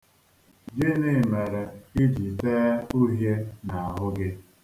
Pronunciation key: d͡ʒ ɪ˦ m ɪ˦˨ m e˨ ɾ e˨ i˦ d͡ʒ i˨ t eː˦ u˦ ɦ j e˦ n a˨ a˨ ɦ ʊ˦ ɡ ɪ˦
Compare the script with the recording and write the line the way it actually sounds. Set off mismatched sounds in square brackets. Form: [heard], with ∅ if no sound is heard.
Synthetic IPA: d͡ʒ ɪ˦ [n] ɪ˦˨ m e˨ ɾ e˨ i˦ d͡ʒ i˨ t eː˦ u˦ ɦ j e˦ n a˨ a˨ ɦ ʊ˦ ɡ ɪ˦